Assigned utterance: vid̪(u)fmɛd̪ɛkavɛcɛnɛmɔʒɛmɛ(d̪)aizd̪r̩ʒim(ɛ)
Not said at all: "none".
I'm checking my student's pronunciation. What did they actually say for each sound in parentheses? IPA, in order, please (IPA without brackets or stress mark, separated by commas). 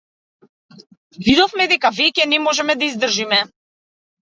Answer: ɔ, d̪, ɛ